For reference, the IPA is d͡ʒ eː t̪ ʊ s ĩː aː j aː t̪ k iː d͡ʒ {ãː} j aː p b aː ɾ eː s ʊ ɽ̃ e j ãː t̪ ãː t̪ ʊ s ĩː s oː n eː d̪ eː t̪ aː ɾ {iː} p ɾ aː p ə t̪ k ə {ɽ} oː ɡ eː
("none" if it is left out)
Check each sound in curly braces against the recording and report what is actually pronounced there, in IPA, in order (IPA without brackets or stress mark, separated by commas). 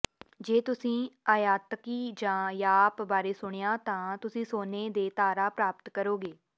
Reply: ãː, aː, ɾ